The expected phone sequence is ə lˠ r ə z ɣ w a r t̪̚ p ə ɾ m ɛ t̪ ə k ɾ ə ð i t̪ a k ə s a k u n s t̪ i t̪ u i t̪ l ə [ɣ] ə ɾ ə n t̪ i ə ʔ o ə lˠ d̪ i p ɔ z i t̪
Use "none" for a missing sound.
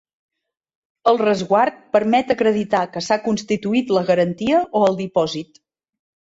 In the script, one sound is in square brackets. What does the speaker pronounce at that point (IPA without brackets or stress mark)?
ɣ